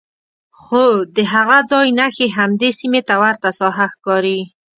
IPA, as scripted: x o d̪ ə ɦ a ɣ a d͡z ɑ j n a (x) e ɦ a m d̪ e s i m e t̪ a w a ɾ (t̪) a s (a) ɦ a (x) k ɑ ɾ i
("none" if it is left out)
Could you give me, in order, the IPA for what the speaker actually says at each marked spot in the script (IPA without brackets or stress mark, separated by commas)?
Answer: x, t̪, ɑ, x